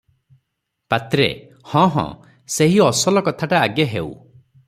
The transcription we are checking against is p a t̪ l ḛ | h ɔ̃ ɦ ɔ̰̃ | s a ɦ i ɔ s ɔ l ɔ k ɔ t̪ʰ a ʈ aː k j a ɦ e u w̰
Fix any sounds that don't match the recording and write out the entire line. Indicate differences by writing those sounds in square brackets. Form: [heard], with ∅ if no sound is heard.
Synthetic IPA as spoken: p a t̪ [ɾ] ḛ | h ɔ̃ ɦ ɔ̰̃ | s [e] ɦ i ɔ s ɔ l ɔ k ɔ t̪ʰ a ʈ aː [ɡ] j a ɦ e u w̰